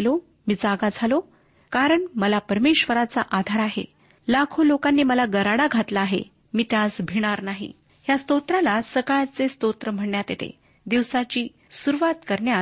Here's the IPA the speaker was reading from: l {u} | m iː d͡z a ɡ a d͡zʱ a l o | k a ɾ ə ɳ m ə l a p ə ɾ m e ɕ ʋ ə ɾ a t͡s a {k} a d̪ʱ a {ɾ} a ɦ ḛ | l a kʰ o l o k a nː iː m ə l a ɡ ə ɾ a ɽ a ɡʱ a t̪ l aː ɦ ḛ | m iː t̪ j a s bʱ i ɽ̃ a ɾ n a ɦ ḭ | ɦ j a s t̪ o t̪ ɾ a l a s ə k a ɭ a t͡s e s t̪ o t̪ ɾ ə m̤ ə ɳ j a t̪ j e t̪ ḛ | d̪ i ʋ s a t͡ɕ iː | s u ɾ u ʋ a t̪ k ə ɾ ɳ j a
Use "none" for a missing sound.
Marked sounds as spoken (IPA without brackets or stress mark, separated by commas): o, ʔ, ɾ